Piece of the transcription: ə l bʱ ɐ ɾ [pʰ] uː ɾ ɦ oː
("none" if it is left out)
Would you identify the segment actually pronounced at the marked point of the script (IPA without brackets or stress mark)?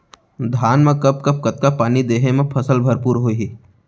p